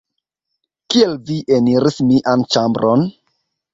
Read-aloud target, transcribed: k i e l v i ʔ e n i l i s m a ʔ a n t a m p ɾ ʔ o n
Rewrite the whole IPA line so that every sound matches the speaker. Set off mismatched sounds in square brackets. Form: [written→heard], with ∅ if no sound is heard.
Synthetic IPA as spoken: k i e l v i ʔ e n i [l→ɾ] i s m [a→i] ʔ a n [t→t͡ʃ] a m [p→b] ɾ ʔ o n